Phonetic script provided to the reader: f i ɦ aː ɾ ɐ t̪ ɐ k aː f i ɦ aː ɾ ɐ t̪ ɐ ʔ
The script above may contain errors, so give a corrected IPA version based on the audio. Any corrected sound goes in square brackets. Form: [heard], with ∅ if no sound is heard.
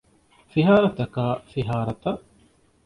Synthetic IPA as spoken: f i ɦ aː ɾ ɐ t̪ ɐ k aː f i ɦ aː ɾ ɐ t̪ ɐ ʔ